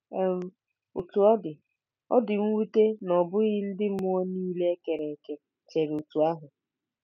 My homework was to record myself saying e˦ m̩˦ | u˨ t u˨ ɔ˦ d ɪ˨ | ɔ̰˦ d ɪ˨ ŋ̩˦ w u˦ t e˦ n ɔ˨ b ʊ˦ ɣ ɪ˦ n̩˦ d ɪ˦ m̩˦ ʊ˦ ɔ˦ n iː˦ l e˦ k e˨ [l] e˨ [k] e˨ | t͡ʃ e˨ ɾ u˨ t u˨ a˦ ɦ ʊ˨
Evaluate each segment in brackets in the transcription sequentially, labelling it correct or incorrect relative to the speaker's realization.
incorrect, correct

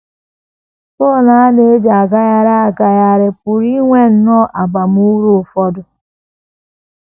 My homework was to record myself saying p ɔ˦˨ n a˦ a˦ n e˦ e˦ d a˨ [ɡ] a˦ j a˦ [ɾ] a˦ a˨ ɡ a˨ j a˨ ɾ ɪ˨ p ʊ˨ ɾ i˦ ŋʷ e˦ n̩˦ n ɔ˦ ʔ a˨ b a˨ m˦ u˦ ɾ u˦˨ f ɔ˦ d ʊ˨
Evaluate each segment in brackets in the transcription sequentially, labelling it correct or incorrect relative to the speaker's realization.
correct, correct

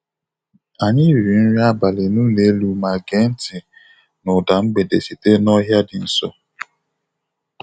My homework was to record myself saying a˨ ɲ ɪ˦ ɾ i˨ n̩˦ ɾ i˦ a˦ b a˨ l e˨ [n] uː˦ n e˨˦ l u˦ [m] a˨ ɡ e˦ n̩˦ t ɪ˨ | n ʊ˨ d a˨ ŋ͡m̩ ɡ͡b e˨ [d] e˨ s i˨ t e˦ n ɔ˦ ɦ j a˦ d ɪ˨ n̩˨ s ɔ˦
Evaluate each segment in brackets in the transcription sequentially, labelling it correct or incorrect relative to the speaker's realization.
correct, correct, correct

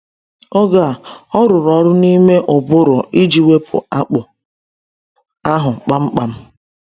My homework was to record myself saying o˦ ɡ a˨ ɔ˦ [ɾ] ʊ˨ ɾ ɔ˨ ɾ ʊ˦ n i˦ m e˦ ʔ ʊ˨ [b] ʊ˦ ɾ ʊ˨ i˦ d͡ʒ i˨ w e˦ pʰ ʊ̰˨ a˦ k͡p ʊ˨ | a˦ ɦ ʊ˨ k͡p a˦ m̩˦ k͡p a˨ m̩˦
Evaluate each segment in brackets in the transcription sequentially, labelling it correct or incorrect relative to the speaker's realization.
correct, correct

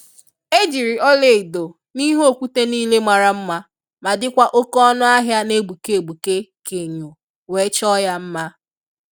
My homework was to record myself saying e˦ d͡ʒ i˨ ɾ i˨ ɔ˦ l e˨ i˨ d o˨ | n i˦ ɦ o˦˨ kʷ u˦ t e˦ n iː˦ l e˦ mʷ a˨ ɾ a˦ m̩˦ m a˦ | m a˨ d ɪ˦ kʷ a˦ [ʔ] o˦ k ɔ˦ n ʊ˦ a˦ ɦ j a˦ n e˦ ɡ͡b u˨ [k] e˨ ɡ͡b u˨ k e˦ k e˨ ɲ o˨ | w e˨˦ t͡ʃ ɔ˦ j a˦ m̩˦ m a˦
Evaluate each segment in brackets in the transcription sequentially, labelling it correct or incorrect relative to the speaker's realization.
correct, correct

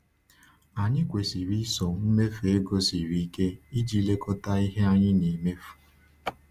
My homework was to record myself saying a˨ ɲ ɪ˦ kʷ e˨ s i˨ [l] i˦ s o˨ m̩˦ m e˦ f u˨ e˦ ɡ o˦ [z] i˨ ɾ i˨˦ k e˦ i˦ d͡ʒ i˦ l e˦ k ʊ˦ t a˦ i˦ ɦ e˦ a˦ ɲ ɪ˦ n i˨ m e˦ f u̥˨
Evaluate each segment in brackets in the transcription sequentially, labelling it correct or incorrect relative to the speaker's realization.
incorrect, incorrect

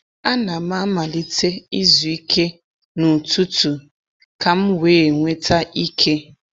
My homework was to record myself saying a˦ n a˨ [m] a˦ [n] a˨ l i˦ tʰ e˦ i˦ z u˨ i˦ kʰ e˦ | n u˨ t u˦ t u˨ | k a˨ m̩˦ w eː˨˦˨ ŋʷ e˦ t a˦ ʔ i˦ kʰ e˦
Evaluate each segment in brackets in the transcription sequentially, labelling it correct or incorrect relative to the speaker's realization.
correct, incorrect

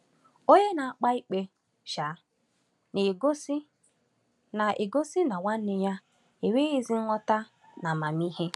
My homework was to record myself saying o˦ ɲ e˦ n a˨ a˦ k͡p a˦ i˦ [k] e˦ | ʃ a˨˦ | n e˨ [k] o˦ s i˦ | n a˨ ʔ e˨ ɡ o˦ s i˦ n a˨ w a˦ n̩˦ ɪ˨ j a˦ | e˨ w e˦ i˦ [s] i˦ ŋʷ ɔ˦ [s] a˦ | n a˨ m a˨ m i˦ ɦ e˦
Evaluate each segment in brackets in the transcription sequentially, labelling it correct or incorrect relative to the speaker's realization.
incorrect, incorrect, incorrect, incorrect

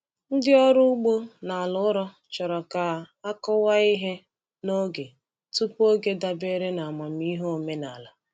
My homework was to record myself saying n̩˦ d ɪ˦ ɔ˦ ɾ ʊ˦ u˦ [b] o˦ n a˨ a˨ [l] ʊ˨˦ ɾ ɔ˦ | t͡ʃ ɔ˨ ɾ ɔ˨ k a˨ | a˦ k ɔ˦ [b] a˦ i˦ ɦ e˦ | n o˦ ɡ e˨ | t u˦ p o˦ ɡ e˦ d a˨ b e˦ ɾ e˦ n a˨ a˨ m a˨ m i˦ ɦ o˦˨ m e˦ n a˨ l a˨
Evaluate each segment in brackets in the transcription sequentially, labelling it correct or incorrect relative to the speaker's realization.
incorrect, correct, incorrect

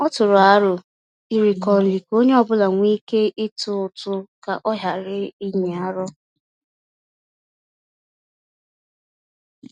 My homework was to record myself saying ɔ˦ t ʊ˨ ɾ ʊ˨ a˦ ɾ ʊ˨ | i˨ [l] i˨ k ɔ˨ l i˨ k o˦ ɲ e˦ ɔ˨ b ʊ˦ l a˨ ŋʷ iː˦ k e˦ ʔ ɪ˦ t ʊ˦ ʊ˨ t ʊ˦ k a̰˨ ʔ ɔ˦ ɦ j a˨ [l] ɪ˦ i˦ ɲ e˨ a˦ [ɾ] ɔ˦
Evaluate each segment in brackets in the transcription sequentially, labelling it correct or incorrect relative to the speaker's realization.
incorrect, incorrect, correct

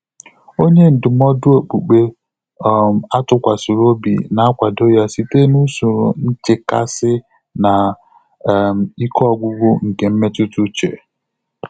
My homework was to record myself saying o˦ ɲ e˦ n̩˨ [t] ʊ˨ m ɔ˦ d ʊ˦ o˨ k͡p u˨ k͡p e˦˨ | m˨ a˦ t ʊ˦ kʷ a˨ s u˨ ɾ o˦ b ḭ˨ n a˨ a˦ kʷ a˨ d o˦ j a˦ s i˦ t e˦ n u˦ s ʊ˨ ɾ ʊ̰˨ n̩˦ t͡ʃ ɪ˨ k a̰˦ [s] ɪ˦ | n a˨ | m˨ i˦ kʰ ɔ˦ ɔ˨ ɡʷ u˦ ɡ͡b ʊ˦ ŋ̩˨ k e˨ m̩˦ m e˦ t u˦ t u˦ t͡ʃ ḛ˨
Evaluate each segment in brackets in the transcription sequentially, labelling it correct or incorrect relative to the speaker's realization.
incorrect, correct

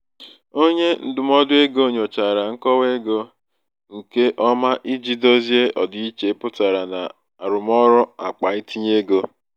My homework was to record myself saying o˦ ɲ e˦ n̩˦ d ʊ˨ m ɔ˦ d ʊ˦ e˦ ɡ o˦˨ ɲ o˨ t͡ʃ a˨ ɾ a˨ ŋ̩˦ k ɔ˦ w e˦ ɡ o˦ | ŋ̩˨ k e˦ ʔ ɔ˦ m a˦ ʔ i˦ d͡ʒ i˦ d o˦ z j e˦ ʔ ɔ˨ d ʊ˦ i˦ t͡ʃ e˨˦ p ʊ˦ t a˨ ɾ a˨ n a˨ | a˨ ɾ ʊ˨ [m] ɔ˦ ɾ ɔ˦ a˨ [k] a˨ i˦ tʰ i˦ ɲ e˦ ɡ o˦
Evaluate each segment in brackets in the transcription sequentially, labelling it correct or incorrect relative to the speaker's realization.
correct, incorrect

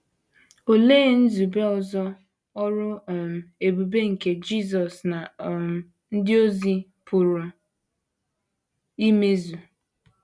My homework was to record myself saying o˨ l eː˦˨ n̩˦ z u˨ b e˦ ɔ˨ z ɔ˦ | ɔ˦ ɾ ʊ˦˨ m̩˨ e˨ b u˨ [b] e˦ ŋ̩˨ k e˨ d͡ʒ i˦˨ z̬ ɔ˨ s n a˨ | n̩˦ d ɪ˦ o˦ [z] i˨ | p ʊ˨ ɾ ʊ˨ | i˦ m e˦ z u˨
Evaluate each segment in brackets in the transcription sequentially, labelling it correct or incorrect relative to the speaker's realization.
correct, correct

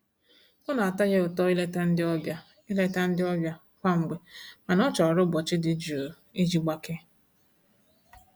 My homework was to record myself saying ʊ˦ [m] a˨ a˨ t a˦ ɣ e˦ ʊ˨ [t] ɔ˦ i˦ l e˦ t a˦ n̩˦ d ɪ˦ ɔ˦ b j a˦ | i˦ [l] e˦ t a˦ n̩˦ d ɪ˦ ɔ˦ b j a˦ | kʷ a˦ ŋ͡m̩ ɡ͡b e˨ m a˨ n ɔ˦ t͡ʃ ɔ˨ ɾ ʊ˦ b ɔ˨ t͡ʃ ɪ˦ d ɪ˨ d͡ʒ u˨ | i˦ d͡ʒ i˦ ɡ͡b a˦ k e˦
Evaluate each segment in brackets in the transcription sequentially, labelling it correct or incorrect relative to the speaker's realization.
incorrect, correct, correct

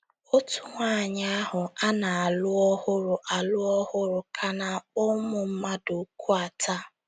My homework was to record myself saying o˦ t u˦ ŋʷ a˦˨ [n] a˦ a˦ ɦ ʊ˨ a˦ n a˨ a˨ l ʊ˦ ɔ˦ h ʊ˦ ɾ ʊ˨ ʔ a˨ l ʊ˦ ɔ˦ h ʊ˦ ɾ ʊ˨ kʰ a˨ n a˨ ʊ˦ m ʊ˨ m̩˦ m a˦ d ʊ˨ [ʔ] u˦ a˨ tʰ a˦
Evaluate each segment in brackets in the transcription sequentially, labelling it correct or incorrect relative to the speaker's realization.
incorrect, incorrect

